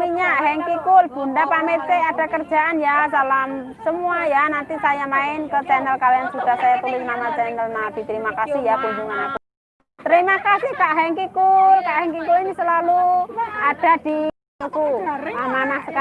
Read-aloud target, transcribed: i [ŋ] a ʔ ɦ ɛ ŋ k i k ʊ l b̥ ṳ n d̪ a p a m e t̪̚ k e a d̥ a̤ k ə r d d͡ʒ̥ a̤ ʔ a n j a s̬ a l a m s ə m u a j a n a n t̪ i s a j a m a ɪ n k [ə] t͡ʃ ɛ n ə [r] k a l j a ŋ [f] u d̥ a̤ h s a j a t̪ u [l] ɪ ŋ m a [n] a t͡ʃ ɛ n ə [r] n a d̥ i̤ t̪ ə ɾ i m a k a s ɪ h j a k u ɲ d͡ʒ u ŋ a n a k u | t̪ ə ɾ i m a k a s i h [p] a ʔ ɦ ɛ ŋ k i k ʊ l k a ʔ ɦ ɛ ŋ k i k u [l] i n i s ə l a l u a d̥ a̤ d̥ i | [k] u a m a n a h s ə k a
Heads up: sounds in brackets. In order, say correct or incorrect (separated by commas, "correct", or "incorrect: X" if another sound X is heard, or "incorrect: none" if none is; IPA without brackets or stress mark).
incorrect: ɲ, correct, incorrect: l, incorrect: s, correct, incorrect: m, incorrect: l, incorrect: k, correct, correct